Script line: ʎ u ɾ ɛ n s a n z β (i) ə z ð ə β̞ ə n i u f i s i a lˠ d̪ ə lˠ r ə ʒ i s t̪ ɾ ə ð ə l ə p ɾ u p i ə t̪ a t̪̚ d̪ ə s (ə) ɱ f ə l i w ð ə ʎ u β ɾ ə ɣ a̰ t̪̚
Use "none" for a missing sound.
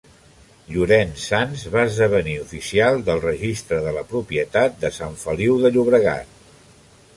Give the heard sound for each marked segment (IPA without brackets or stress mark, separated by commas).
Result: a, a